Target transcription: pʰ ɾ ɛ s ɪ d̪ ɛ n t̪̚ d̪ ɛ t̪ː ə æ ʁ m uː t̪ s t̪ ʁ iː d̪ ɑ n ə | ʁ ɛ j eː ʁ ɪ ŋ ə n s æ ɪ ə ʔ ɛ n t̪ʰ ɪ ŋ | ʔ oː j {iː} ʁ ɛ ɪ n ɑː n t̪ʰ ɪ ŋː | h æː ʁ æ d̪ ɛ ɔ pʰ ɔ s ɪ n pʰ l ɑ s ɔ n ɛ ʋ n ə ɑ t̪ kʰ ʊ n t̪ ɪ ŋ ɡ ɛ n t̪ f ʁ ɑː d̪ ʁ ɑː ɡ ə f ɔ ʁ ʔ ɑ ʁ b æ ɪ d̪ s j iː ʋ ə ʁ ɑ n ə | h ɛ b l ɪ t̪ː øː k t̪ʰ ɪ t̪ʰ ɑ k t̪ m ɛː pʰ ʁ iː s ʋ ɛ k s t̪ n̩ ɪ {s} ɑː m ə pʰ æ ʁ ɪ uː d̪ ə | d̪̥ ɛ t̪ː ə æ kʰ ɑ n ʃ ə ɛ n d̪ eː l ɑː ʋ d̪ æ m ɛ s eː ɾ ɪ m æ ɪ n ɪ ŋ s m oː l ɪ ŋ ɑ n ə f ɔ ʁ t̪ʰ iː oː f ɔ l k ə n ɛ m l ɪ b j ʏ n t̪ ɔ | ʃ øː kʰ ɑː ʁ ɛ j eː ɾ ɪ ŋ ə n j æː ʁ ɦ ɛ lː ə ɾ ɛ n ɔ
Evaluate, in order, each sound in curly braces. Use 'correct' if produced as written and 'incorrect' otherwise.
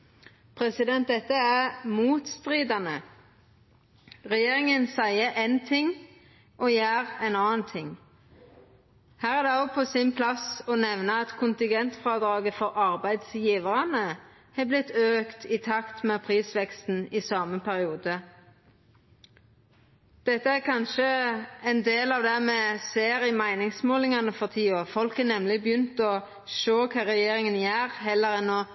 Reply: incorrect, correct

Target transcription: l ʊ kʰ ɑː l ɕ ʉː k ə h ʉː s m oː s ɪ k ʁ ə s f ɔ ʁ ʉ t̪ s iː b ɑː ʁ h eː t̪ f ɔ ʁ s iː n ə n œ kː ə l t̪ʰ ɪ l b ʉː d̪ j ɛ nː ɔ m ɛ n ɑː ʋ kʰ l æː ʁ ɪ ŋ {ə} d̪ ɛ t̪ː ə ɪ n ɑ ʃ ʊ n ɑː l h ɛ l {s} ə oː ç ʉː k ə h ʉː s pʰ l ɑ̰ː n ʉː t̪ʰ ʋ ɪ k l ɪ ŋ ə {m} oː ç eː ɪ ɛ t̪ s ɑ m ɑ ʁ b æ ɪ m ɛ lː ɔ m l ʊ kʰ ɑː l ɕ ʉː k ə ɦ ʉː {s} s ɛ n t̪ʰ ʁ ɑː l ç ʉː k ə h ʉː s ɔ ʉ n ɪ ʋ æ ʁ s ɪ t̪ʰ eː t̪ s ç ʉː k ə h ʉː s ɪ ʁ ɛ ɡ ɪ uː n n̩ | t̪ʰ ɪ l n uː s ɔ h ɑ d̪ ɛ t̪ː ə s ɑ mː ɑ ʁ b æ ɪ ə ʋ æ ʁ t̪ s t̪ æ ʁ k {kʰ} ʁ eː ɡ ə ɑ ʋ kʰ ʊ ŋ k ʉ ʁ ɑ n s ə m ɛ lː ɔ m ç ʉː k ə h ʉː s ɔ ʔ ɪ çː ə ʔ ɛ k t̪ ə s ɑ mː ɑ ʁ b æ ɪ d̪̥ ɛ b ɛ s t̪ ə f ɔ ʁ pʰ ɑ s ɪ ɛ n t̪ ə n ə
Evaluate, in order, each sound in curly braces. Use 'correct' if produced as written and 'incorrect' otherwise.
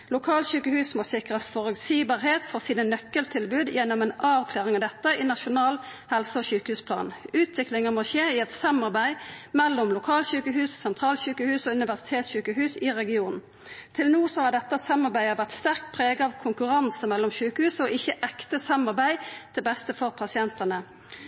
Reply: incorrect, correct, correct, correct, incorrect

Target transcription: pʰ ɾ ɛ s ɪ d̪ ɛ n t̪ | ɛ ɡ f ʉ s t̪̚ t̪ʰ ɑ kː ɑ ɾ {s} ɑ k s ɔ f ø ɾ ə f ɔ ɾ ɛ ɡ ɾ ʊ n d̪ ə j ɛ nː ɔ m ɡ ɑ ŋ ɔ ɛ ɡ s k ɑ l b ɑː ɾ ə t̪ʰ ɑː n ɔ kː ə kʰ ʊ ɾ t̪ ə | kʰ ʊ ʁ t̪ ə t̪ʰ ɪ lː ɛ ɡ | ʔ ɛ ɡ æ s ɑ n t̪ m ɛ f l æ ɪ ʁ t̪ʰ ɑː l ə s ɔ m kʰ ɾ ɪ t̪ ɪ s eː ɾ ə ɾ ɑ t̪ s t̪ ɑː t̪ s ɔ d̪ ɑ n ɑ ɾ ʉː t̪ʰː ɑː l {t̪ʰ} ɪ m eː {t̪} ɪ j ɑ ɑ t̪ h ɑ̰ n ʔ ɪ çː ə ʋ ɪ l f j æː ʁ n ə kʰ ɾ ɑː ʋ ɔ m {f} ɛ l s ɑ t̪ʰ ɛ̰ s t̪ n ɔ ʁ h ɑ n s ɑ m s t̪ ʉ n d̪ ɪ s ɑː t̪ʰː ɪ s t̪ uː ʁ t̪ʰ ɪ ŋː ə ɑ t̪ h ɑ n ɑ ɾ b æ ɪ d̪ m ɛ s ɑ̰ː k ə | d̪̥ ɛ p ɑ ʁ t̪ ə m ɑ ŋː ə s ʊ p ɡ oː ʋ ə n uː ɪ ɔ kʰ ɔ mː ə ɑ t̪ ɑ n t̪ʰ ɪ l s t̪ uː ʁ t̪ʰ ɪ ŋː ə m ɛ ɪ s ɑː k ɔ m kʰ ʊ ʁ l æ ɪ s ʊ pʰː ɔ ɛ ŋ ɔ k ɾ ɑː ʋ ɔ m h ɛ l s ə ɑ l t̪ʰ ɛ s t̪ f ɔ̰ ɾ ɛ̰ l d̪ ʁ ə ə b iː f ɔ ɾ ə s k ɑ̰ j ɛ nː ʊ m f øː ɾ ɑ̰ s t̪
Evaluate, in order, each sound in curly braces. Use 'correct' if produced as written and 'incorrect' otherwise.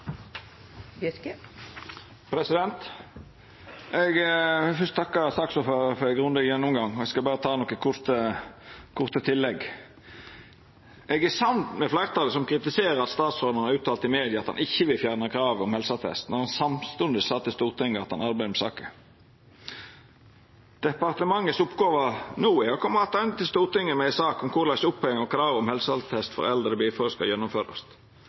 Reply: correct, incorrect, incorrect, incorrect

